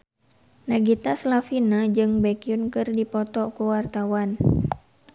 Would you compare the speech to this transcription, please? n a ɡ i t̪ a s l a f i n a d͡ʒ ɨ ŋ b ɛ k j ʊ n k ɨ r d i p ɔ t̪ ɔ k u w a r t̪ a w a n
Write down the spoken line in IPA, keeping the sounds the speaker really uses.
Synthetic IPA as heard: n a ɡ i t̪ a s l a f i n a d͡ʒ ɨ ŋ b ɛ k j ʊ n k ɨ r d i p ɔ t̪ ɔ k u w a r t̪ a w a n